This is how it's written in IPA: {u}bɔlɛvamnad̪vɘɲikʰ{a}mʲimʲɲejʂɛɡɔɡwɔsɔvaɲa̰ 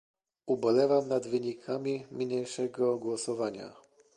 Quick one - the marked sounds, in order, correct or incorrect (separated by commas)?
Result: correct, correct